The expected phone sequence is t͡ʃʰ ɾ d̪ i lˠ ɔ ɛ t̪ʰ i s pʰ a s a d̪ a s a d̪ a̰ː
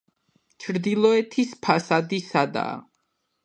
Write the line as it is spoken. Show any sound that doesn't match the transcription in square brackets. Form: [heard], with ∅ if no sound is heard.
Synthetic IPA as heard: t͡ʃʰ ɾ d̪ i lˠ ɔ ɛ t̪ʰ i s pʰ a s a d̪ [i] s a d̪ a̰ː

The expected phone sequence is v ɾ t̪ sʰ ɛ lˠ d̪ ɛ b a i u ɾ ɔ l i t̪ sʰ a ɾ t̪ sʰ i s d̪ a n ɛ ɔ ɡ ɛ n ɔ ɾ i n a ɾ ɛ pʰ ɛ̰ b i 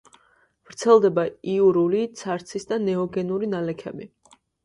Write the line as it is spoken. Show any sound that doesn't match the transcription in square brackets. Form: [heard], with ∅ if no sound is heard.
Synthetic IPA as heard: v ɾ t̪ sʰ ɛ lˠ d̪ ɛ b a i u ɾ [u] l i t̪ sʰ a ɾ t̪ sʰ i s d̪ a n ɛ ɔ ɡ ɛ n [u] ɾ i n a [l] ɛ [kʰ] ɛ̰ b i

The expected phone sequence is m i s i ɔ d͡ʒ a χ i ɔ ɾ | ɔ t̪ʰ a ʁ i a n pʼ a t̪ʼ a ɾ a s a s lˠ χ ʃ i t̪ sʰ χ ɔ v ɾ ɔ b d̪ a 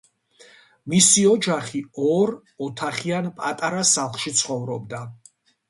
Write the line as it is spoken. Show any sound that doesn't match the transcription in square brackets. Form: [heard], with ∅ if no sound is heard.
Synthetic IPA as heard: m i s i ɔ d͡ʒ a χ i ɔ ɾ | ɔ t̪ʰ a [χ] i a n pʼ a t̪ʼ a ɾ a s a [∅] lˠ χ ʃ i t̪ sʰ χ ɔ v ɾ ɔ b d̪ a

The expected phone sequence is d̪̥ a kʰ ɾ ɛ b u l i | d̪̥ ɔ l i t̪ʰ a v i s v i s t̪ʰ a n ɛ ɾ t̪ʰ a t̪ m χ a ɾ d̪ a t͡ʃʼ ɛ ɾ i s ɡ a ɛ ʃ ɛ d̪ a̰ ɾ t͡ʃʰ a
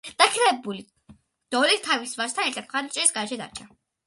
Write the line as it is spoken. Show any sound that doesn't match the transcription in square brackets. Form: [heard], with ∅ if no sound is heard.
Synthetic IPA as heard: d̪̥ a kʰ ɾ ɛ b u l i | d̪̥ ɔ l i t̪ʰ a v i s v [a] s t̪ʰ a n ɛ ɾ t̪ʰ a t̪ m χ a ɾ d̪ a t͡ʃʼ ɛ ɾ i s ɡ a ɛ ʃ ɛ d̪ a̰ ɾ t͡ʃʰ a

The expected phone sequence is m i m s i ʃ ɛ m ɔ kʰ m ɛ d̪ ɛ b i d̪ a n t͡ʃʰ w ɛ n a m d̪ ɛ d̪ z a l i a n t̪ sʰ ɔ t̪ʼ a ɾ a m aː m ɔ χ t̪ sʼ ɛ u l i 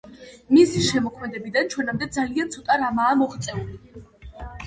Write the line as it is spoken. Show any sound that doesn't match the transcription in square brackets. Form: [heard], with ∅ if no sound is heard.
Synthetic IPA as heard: m i [∅] s i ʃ ɛ m ɔ kʰ m ɛ d̪ ɛ b i d̪ a n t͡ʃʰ w ɛ n a m d̪ ɛ d̪ z a l i a n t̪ sʰ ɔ t̪ʼ a ɾ a m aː m ɔ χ t̪ sʼ ɛ u l i

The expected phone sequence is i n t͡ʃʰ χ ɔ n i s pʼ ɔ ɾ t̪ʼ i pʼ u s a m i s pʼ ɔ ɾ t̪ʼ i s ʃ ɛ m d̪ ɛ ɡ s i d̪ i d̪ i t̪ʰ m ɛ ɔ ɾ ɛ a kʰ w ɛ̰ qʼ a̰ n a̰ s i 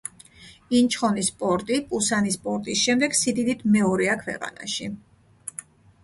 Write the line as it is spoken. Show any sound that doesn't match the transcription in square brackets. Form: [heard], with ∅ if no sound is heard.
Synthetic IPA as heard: i n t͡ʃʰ χ ɔ n i s pʼ ɔ ɾ t̪ʼ i pʼ u s a [n] i s pʼ ɔ ɾ t̪ʼ i s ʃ ɛ m d̪ ɛ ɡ s i d̪ i d̪ i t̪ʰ m ɛ ɔ ɾ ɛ a kʰ w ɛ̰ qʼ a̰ n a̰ [ʃ] i

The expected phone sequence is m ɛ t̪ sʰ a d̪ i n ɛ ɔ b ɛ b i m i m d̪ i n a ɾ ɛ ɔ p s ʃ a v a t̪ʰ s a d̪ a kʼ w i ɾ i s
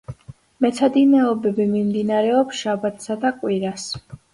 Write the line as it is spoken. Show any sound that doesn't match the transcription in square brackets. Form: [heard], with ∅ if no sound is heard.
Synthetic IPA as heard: m ɛ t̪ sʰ a d̪ i n ɛ ɔ b ɛ b i m i m d̪ i n a ɾ ɛ ɔ p s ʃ a [b] a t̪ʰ s a d̪ a kʼ w i ɾ [a] s

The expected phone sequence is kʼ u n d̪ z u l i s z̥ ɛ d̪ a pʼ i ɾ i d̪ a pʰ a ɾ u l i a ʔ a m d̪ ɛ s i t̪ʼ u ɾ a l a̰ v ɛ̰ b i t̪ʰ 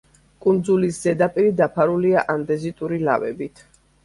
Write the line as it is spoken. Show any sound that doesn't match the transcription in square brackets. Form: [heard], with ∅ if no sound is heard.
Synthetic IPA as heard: kʼ u n d̪ z u l i s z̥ ɛ d̪ a pʼ i ɾ i d̪ a pʰ a ɾ u l i a ʔ a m d̪ ɛ [z] i t̪ʼ u ɾ [i] l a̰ v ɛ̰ b i t̪ʰ

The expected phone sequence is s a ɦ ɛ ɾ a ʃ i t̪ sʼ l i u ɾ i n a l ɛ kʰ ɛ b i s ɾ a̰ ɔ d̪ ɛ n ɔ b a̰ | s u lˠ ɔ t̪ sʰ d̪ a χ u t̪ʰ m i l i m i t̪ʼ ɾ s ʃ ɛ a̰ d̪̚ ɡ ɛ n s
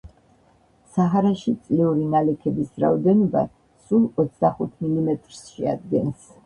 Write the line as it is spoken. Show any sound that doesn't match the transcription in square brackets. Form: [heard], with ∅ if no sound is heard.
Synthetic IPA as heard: s a ɦ [a] ɾ a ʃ i t̪ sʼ l i u ɾ i n a l ɛ kʰ ɛ b i s ɾ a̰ ɔ d̪ ɛ n ɔ b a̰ | s u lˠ ɔ t̪ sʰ d̪ a χ u t̪ʰ m i l i m [ɛ] t̪ʼ ɾ s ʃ ɛ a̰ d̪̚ ɡ ɛ n s

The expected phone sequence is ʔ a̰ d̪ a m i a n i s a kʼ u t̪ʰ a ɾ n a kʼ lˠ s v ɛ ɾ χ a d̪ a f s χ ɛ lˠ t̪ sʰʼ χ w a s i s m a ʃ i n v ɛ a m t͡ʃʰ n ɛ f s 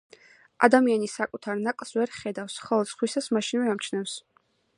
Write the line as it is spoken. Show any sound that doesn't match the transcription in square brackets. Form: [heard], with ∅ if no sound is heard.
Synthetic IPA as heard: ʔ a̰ d̪ a m i a n i s a kʼ u t̪ʰ a ɾ n a kʼ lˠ s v ɛ ɾ χ [ɛ] d̪ a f s χ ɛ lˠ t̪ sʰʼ χ w [i] s [a] s m a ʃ i n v ɛ a m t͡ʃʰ n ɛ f s

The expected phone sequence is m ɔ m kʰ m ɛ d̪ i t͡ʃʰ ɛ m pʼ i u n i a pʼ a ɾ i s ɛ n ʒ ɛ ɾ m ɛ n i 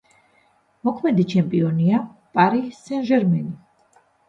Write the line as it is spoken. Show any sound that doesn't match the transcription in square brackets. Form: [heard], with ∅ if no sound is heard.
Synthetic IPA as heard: m ɔ [∅] kʰ m ɛ d̪ i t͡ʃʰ ɛ m pʼ i [ɔ] n i a pʼ a ɾ i s ɛ n ʒ ɛ ɾ m ɛ n i

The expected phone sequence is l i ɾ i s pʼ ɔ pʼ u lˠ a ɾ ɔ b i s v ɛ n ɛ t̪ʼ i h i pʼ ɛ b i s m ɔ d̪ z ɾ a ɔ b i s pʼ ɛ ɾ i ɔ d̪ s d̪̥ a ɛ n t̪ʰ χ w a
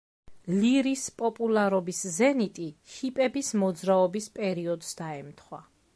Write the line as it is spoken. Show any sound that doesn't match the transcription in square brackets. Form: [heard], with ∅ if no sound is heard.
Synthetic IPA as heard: l i ɾ i s pʼ ɔ pʼ u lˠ a ɾ ɔ b i s [z] ɛ n [i] t̪ʼ i h i pʼ ɛ b i s m ɔ d̪ z ɾ a ɔ b i s pʼ ɛ ɾ i ɔ d̪ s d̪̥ a ɛ [m] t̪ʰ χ w a

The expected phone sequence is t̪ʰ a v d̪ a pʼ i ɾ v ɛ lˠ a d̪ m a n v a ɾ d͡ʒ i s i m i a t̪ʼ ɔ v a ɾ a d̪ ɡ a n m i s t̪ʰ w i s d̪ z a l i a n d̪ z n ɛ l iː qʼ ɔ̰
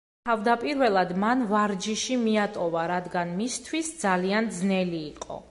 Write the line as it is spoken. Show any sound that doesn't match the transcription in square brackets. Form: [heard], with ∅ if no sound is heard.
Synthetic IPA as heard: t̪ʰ a v d̪ a pʼ i ɾ v ɛ lˠ a d̪ m a n v a ɾ d͡ʒ i [ʃ] i m i a t̪ʼ ɔ v a ɾ a d̪ ɡ a n m i s t̪ʰ w i s d̪ z a l i a n d̪ z n ɛ l iː qʼ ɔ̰

